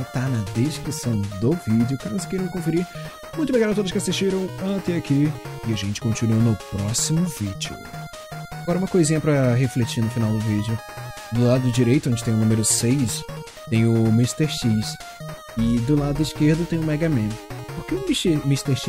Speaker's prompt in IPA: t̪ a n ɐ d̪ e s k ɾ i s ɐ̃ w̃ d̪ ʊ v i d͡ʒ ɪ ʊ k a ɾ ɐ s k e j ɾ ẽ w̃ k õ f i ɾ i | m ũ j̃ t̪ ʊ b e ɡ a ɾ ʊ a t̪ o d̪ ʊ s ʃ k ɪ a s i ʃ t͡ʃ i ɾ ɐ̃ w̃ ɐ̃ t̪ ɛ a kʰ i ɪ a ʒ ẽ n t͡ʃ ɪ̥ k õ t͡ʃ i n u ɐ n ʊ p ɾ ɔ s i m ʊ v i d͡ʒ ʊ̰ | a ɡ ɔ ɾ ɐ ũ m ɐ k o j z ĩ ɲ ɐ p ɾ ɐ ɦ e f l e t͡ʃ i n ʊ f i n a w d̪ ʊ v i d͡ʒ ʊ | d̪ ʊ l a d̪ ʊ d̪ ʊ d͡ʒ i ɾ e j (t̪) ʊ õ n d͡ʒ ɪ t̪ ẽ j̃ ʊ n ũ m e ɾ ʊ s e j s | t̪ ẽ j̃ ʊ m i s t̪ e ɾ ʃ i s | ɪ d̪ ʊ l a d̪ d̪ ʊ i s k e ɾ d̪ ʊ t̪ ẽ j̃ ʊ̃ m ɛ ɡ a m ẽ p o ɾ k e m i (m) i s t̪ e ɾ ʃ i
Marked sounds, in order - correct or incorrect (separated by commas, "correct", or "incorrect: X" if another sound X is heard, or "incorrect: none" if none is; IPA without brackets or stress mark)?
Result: correct, correct